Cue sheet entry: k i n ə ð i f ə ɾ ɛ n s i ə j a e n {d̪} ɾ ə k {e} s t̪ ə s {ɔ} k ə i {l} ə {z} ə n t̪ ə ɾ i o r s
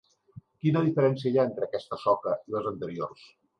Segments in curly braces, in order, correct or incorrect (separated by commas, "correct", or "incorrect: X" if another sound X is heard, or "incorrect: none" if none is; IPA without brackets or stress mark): incorrect: t̪, incorrect: ɛ, correct, correct, correct